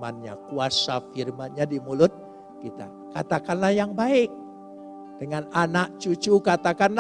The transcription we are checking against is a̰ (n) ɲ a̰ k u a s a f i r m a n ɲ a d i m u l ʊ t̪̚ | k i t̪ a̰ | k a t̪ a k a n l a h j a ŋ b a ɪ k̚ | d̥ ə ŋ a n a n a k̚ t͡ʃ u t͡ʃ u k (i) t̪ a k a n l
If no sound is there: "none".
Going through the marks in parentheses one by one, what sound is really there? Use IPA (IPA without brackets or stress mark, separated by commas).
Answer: n, a